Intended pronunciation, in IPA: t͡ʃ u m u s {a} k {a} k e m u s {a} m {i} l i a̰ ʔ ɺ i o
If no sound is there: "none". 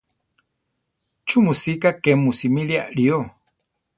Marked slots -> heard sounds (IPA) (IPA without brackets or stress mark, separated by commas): i, a, i, i